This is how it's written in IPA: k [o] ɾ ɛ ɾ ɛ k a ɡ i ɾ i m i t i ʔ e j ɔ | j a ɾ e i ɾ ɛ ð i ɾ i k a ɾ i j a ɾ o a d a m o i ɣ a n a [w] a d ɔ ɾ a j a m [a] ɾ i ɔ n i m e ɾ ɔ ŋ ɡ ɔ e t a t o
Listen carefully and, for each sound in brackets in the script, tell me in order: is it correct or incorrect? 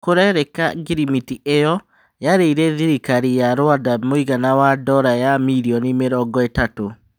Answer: correct, correct, incorrect

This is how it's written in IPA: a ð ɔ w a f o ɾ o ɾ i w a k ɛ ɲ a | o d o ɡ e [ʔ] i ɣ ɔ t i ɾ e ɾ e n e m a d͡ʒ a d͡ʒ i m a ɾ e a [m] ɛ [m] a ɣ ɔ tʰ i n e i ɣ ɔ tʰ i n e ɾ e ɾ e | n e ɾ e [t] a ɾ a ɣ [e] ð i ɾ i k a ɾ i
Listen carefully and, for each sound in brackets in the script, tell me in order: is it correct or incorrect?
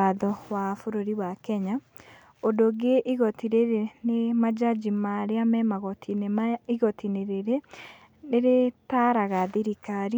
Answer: correct, correct, correct, correct, incorrect

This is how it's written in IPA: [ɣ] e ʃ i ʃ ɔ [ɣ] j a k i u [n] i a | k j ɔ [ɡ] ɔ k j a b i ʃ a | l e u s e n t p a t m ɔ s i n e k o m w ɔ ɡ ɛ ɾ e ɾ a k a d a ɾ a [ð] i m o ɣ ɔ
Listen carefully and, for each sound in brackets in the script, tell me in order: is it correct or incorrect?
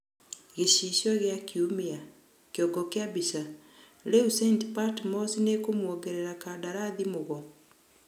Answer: correct, correct, incorrect, correct, correct

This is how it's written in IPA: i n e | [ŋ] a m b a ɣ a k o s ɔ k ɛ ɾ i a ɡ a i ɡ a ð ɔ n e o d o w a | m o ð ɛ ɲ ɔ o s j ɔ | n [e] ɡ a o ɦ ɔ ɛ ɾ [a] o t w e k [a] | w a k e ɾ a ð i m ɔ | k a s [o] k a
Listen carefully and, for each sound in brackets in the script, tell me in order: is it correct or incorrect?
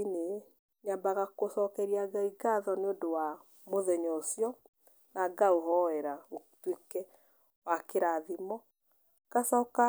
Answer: incorrect, incorrect, correct, incorrect, incorrect

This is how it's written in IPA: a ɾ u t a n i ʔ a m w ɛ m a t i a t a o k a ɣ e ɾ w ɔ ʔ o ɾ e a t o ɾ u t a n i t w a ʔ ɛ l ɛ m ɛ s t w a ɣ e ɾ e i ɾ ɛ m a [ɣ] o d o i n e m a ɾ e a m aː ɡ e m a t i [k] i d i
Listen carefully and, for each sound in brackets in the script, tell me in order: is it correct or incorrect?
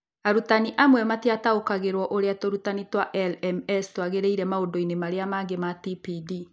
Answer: incorrect, incorrect

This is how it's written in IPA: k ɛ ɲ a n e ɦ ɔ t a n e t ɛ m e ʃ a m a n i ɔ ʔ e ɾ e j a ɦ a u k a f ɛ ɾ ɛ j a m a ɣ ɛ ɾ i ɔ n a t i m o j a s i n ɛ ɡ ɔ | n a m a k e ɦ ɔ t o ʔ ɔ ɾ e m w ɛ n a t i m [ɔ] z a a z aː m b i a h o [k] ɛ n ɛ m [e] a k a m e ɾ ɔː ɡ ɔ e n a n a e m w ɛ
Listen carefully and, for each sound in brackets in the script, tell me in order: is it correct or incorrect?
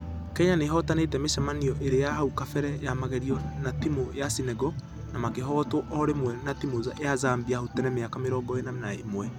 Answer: incorrect, incorrect, correct

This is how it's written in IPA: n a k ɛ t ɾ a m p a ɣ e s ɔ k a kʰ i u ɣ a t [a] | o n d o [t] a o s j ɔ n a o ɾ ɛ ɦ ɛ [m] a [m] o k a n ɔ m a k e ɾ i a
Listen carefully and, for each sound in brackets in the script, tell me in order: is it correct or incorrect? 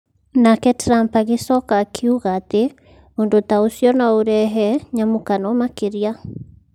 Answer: incorrect, correct, incorrect, correct

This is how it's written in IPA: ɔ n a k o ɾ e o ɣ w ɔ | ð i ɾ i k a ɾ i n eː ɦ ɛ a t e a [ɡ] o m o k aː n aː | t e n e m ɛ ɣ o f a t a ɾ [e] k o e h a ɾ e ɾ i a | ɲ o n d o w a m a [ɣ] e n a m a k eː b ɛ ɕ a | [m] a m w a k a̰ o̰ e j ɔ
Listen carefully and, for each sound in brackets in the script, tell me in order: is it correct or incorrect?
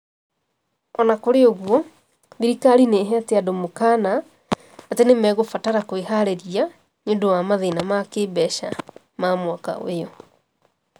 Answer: incorrect, incorrect, incorrect, correct

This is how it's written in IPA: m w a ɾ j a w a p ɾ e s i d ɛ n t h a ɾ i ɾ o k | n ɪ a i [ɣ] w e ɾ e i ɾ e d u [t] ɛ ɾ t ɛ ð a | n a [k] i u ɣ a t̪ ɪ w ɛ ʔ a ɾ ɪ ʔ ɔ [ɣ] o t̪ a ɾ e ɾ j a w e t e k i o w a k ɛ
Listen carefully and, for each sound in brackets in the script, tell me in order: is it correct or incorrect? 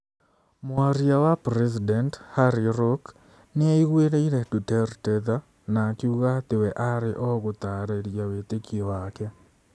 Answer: correct, correct, correct, correct

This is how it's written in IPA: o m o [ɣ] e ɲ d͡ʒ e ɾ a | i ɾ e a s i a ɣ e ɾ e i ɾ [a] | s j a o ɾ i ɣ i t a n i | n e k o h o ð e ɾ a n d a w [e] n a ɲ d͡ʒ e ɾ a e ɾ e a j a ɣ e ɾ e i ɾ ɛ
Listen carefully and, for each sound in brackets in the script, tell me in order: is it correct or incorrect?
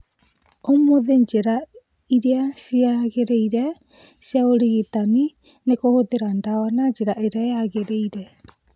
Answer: incorrect, incorrect, incorrect

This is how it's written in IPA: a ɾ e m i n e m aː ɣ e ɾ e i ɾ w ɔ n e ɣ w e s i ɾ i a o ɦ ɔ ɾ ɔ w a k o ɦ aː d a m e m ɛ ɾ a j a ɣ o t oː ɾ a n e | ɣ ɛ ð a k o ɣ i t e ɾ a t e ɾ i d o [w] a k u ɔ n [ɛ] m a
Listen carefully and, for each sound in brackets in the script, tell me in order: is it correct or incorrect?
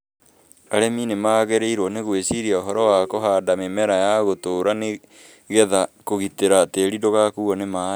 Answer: incorrect, incorrect

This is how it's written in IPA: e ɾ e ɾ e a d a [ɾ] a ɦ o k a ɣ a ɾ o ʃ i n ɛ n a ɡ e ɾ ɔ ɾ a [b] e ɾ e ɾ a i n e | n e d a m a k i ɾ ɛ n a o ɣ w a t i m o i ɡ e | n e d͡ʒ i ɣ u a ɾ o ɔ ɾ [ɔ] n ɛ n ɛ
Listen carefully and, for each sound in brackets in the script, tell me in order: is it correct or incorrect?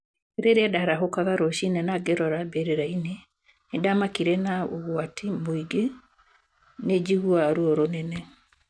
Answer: correct, correct, incorrect

